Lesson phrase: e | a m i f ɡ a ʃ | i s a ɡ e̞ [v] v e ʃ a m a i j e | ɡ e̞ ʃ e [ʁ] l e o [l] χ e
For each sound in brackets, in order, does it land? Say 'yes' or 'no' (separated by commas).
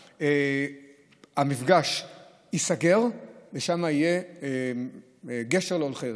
no, yes, yes